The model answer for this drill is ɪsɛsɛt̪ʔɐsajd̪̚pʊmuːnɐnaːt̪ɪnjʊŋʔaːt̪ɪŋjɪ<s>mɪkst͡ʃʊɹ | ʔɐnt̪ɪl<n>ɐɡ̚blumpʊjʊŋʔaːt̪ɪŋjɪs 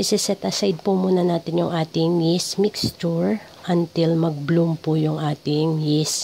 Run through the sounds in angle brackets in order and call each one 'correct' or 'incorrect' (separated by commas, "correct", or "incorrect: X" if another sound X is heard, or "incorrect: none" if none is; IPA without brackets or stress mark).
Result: correct, incorrect: m